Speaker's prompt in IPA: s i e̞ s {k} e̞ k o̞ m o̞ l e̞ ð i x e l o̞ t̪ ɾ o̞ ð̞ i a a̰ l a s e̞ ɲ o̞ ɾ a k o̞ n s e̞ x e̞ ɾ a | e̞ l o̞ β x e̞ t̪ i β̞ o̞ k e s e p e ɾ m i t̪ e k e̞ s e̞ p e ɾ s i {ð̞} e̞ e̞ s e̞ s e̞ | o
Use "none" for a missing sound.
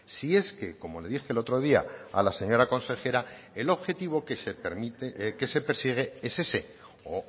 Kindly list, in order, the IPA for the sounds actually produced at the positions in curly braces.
k, ɣ̞

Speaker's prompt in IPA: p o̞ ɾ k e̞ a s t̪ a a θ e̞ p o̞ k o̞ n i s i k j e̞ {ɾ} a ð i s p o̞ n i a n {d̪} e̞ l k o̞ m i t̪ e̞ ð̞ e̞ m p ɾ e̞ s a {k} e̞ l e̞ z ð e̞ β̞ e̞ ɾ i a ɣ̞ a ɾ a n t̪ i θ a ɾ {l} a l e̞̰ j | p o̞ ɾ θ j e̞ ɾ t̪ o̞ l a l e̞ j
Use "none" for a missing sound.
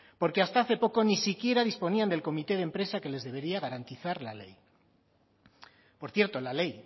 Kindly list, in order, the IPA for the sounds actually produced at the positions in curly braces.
ɾ, d̪, k, l

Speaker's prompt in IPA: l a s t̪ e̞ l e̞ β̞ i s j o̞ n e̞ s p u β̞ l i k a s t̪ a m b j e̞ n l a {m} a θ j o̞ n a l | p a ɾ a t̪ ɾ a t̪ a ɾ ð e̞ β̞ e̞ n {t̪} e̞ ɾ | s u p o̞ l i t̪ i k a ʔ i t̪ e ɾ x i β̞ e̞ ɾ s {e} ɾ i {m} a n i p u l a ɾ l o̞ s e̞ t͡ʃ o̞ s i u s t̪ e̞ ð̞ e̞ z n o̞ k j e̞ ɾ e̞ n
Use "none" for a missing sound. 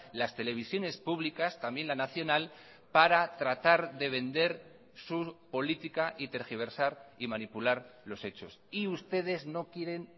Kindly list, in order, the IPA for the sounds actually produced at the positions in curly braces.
n, d̪, a, m

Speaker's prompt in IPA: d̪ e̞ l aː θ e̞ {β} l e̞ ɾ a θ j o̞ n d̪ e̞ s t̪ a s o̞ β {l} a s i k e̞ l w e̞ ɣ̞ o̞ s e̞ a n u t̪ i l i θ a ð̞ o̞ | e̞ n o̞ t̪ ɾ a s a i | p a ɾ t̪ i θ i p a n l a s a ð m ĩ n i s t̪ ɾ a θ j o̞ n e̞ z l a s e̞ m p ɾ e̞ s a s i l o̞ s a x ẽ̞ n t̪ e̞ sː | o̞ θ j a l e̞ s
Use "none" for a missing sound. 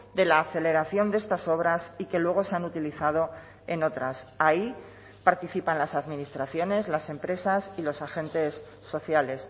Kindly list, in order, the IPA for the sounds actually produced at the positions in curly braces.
none, ɾ

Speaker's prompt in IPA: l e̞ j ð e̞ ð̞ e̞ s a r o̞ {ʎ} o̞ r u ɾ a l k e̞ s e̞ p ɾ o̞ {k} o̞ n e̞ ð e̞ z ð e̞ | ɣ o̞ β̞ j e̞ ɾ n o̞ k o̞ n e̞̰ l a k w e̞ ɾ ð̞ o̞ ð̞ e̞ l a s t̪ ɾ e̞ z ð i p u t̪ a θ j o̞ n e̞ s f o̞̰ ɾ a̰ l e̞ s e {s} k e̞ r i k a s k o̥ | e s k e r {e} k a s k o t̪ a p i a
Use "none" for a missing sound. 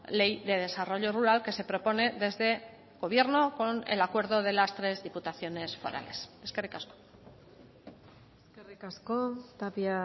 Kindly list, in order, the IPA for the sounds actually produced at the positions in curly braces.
ʎ, p, s, i

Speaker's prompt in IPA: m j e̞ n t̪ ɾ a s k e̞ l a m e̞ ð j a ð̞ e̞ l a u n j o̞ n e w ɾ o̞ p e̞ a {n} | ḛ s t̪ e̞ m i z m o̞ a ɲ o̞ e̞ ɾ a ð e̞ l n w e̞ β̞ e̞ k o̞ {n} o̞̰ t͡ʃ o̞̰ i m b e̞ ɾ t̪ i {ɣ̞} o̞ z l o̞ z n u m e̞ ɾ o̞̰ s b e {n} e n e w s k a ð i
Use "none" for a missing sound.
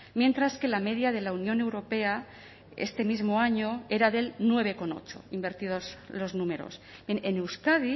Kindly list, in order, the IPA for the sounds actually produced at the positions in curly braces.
none, n, ð̞, n

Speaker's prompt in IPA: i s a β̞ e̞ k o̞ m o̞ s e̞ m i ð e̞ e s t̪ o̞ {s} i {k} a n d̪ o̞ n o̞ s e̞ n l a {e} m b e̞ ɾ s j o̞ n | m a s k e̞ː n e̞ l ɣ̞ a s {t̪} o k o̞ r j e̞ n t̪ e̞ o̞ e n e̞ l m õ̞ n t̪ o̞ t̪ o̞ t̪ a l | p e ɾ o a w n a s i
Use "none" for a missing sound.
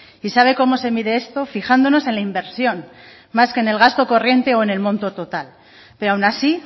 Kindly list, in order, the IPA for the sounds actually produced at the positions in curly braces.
f, x, i, t̪

